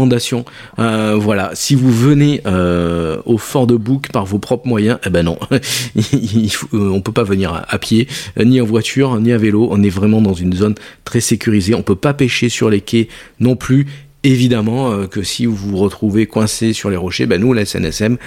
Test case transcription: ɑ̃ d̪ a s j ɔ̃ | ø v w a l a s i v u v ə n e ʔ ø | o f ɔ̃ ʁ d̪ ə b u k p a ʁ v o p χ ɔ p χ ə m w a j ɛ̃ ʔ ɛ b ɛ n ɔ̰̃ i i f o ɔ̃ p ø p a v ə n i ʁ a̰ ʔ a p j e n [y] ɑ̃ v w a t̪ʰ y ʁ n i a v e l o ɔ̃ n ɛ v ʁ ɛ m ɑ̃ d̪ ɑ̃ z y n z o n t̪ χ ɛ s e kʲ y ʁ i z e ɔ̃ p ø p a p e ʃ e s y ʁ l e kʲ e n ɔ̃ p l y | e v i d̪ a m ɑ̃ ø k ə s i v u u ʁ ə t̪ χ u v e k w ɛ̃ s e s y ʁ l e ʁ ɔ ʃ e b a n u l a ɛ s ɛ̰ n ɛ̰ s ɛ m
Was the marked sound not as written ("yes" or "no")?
yes